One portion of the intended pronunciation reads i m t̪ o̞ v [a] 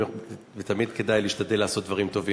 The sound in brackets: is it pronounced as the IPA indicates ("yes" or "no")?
no